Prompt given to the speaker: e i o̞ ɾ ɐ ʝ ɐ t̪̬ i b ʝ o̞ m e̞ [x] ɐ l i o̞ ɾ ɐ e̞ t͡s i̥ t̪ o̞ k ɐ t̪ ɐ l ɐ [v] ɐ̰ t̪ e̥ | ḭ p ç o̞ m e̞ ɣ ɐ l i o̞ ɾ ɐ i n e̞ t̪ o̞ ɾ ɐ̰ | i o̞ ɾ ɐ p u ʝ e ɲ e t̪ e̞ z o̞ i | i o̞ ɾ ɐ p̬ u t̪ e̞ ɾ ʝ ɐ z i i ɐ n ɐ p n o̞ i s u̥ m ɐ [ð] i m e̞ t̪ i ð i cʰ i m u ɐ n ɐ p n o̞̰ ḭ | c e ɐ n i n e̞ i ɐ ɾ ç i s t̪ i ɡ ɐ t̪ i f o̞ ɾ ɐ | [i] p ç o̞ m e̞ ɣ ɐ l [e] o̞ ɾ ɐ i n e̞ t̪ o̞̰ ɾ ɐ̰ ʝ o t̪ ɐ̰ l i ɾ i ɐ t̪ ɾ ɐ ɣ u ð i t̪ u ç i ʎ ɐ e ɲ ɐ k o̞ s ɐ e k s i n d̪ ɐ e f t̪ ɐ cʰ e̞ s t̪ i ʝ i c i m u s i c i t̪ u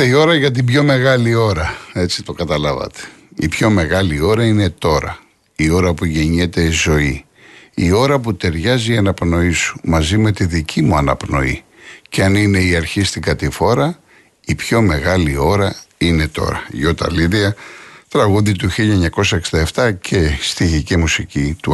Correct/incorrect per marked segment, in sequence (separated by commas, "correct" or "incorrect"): incorrect, correct, incorrect, correct, incorrect